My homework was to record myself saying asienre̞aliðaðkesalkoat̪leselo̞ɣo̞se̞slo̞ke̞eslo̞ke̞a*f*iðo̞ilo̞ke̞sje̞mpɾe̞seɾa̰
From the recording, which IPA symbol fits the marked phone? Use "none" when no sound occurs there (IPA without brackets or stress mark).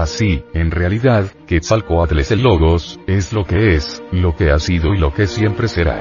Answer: s